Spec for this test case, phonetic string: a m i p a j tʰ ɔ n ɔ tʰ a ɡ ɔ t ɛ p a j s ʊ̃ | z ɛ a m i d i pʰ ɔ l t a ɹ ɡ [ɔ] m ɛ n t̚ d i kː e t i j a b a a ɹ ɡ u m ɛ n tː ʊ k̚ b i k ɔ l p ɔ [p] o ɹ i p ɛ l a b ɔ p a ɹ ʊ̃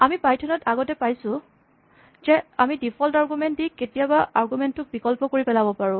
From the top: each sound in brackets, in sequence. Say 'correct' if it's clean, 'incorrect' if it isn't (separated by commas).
incorrect, incorrect